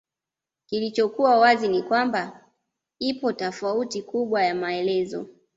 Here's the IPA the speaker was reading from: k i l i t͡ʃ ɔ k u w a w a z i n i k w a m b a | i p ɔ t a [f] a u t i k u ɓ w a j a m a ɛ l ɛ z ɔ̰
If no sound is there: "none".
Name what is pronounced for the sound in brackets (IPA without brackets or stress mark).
f